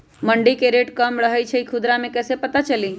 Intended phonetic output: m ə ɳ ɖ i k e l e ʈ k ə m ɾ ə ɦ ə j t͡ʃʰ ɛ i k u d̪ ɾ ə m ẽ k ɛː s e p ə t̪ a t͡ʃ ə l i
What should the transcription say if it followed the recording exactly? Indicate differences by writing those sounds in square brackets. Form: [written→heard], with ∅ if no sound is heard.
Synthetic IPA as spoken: m ə ɳ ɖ i k e [l→ɾ] e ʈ k ə m ɾ ə ɦ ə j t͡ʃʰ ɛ i [k→kʰ] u d̪ ɾ [ə→a] m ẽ k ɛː s e p ə t̪ a t͡ʃ ə l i